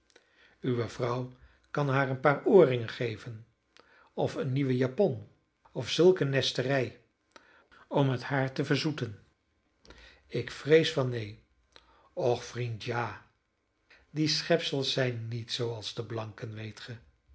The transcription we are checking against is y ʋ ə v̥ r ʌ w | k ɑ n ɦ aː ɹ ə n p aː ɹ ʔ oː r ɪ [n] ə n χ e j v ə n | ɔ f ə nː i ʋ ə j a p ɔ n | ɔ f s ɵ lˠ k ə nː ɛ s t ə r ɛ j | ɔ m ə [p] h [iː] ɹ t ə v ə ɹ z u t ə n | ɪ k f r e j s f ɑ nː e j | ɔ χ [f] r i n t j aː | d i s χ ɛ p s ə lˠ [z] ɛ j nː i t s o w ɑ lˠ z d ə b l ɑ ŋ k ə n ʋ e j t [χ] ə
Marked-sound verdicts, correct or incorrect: incorrect: ŋ, incorrect: t, incorrect: aː, correct, incorrect: s, correct

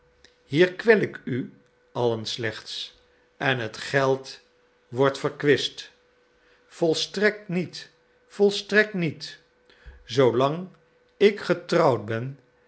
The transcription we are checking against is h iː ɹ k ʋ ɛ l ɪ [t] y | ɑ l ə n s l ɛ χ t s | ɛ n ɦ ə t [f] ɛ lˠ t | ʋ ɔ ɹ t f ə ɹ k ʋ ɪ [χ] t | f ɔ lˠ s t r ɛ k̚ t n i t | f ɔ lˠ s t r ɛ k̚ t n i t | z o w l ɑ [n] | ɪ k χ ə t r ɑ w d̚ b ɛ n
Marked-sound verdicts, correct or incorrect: incorrect: k, incorrect: χ, incorrect: s, incorrect: ŋ

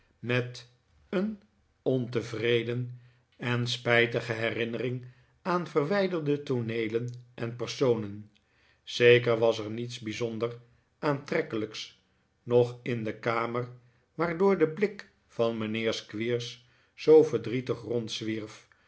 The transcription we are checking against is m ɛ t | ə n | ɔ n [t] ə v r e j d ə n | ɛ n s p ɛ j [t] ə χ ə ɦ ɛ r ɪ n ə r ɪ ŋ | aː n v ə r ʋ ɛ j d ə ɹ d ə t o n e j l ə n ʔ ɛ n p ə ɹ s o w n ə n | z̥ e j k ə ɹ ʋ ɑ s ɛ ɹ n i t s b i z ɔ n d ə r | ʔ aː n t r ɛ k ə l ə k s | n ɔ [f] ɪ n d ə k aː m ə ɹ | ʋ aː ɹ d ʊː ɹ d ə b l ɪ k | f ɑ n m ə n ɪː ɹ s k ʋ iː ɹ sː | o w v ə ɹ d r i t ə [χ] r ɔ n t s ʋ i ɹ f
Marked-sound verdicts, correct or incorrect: correct, correct, incorrect: χ, correct

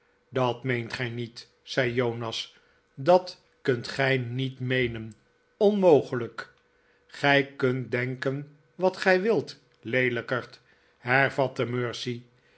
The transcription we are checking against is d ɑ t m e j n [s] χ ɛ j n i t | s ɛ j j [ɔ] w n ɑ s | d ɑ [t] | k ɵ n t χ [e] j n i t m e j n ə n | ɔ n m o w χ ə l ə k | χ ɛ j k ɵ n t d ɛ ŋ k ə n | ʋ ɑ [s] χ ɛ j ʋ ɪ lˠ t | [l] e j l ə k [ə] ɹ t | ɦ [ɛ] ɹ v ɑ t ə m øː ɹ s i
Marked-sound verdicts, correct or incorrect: incorrect: t, incorrect: o, correct, incorrect: ɛ, incorrect: t, correct, correct, correct

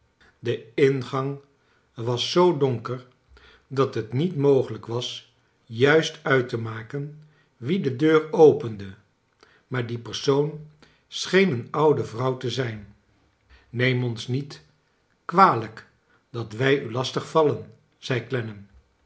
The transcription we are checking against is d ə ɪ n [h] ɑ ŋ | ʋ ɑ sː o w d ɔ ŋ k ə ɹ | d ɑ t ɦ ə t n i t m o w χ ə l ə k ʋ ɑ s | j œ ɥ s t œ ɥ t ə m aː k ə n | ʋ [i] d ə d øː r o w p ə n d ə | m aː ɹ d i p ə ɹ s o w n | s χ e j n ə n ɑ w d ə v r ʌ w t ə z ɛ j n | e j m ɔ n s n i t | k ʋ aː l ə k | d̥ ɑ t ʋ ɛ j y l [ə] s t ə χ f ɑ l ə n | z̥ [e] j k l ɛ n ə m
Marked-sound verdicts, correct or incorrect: incorrect: χ, correct, incorrect: ɑ, incorrect: ɛ

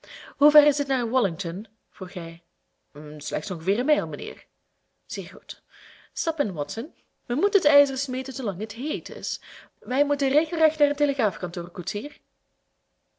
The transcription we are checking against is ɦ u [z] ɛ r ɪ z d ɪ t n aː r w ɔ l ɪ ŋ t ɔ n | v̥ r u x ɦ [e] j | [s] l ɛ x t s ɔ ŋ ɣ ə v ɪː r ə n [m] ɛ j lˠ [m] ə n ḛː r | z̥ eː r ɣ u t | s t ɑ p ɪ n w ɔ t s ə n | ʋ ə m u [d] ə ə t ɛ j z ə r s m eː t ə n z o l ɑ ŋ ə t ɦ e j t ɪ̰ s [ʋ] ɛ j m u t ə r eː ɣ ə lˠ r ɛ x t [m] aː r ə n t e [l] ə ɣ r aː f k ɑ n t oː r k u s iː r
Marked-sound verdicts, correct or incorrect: incorrect: v, incorrect: ɛ, correct, correct, correct, incorrect: t, correct, incorrect: n, correct

